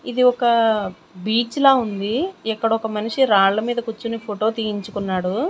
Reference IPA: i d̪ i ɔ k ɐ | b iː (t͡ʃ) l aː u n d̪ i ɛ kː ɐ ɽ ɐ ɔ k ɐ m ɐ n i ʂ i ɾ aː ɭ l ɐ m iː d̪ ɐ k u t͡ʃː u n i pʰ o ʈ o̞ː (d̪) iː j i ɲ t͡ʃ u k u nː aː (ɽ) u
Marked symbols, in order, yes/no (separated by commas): yes, no, yes